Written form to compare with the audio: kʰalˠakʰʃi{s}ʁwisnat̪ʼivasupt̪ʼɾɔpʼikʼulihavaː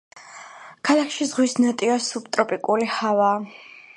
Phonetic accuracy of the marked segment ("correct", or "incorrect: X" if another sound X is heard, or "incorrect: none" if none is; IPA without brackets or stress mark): incorrect: z